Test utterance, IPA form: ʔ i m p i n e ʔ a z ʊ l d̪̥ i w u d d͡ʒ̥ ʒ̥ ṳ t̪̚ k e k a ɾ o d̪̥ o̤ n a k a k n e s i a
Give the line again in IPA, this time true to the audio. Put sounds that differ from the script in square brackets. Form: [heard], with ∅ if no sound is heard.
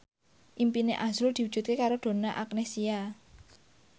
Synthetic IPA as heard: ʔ i m p i n e ʔ a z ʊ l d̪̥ i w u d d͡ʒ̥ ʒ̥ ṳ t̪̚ k e k a ɾ o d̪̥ o̤ n a [ʔ] a k n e s i a